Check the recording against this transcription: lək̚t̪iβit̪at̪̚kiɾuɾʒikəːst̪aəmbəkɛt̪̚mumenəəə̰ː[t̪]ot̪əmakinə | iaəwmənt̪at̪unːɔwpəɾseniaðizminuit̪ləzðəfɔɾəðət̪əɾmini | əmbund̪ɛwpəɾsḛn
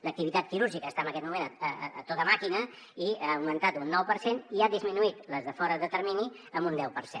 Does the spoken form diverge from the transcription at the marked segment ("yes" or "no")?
no